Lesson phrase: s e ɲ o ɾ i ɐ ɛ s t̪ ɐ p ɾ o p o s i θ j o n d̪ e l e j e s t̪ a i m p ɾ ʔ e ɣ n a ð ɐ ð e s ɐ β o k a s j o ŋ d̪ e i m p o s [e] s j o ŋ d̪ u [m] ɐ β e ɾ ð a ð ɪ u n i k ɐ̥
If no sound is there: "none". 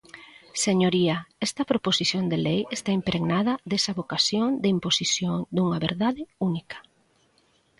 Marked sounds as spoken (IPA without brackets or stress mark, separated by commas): i, ŋ